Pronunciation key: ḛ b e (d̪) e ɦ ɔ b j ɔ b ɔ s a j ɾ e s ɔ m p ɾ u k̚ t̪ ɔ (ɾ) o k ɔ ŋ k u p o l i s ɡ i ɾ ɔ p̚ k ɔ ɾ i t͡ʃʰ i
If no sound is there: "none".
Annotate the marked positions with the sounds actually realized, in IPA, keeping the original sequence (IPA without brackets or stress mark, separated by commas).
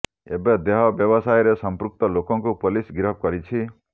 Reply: d̪, l